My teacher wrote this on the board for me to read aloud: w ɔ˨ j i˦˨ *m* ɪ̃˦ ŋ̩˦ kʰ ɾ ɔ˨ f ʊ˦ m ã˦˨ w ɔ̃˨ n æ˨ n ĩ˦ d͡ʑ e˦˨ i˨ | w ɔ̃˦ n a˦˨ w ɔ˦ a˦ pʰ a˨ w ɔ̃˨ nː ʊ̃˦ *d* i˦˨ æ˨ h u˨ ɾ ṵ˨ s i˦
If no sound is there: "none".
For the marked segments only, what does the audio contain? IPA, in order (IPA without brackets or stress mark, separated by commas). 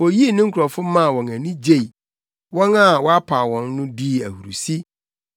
n, d